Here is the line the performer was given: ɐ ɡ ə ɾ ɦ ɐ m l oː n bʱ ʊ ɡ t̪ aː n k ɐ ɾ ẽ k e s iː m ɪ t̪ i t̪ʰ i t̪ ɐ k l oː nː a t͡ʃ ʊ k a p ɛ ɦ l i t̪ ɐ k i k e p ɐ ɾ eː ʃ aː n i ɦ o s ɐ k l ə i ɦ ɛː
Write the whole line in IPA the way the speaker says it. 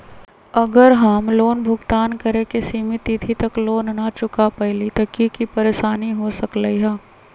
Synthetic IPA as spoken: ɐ ɡ ə ɾ ɦ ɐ m l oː n bʱ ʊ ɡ t̪ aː n k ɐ ɾ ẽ k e s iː m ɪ t̪ i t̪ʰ i t̪ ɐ k l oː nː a t͡ʃ ʊ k a p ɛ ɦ l i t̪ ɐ k i k i p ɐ ɾ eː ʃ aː n i ɦ o s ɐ k l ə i ɦ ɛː